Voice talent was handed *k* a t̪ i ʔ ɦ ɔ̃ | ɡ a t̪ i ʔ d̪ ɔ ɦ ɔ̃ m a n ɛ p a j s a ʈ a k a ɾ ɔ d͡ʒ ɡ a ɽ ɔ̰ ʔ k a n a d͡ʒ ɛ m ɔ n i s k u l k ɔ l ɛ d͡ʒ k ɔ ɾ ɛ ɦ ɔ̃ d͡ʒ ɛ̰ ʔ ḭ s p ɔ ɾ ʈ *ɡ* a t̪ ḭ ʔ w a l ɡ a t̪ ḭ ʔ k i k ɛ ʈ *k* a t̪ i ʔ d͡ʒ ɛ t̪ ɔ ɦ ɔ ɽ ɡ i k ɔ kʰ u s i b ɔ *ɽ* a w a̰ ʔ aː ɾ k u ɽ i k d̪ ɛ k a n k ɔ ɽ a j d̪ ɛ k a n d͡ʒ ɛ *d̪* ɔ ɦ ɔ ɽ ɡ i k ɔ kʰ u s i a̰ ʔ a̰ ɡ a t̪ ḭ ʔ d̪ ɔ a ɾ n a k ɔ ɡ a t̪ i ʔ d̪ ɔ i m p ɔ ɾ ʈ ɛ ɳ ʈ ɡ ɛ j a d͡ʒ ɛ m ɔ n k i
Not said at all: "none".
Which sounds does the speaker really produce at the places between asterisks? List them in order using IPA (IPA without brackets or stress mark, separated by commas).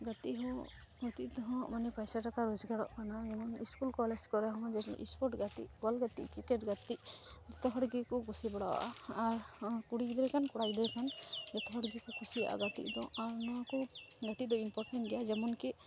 ɡ, ɡ, ɡ, ɽ, t̪